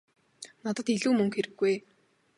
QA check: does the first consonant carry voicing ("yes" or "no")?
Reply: yes